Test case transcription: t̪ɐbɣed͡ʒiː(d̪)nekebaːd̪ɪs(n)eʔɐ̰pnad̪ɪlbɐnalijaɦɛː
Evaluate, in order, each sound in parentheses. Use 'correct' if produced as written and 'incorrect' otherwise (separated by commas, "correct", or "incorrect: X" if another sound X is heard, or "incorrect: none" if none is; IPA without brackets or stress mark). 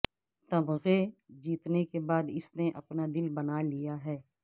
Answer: incorrect: t̪, correct